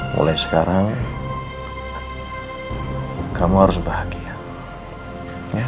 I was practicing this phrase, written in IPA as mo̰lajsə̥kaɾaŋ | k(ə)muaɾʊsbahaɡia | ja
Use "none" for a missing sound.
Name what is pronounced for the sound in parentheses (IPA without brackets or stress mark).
a